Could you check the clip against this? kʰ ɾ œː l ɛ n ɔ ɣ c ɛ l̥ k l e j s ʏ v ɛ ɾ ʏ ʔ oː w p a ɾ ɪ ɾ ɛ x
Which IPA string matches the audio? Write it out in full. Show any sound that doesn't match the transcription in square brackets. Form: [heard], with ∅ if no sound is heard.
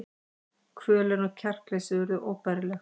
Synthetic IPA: kʰ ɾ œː l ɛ n ɔ ɣ [cʰ] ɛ [r̥] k l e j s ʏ v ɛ ɾ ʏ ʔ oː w p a ɾ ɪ [l] ɛ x

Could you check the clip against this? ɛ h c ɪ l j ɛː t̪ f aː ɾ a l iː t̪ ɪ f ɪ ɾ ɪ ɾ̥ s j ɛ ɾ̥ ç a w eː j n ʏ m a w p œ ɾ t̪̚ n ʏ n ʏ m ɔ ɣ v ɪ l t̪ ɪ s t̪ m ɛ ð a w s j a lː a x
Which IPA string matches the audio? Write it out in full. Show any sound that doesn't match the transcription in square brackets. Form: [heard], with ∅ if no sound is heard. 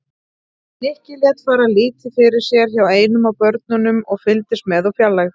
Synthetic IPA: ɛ h c ɪ l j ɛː t̪ f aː ɾ a l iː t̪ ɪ f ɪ ɾ ɪ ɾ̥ s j ɛ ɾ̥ ç a w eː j n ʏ m a w p œ ɾ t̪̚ n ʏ n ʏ m ɔ ɣ [f] ɪ l t̪ ɪ s t̪ m ɛ ð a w [f] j a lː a x

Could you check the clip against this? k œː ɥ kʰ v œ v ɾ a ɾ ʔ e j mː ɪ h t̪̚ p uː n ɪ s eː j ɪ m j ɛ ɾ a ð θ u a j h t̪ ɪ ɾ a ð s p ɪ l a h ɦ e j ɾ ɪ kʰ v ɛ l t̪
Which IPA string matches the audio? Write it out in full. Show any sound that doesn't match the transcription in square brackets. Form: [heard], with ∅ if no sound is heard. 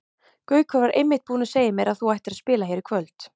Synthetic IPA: k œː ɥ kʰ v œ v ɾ a ɾ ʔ e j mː ɪ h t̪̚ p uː n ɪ s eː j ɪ m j ɛ ɾ a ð θ u a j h t̪ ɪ ɾ a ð s p [ɪː] l a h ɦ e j ɾ ɪ kʰ v [œ] l t̪

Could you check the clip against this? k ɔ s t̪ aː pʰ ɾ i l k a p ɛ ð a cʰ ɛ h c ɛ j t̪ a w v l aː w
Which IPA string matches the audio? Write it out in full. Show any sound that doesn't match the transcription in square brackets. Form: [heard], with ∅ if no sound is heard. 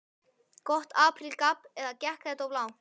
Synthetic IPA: k ɔ [h] t̪ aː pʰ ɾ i l k a p ɛ ð a [c] ɛ h [k] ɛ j t̪ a w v l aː w

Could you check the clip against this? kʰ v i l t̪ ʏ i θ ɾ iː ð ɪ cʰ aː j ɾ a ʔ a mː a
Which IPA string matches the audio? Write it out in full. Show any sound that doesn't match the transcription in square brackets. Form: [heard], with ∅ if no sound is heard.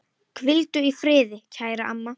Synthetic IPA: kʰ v [ɪ] l t̪ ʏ i [f] ɾ [ɪː] ð ɪ cʰ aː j ɾ a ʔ a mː a

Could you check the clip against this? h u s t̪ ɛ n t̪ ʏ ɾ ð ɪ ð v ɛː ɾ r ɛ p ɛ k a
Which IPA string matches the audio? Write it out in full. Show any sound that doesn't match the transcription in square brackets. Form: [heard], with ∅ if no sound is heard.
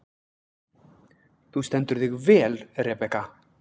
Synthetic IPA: [θ] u s t̪ ɛ n t̪ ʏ ɾ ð ɪ [ɣ] v ɛː [l] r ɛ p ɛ k a

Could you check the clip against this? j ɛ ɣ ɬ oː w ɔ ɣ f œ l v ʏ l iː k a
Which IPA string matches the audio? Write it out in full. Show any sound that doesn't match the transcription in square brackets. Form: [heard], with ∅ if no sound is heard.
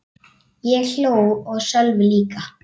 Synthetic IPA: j ɛ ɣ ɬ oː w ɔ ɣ [s] œ l v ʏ l iː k a

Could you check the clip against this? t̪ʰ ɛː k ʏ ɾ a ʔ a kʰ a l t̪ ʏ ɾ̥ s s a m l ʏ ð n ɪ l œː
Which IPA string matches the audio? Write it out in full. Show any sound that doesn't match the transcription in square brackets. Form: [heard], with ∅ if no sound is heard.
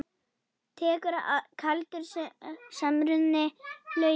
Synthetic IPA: t̪ʰ ɛː k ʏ ɾ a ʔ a kʰ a l t̪ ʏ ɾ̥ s s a m [ɾ] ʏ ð n ɪ l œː

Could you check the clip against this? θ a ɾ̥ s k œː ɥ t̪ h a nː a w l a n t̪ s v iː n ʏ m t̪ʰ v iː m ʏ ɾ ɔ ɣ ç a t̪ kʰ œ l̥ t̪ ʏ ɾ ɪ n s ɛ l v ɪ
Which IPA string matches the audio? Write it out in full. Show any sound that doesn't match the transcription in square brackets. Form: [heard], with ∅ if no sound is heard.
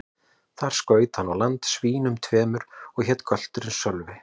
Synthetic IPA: θ a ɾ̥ s k œː ɥ t̪ h a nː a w l a n t̪ s v iː n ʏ m t̪ʰ v [ɛː] m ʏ ɾ ɔ ɣ ç [ɛ] t̪ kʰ œ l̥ t̪ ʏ ɾ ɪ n s [œ] l v ɪ

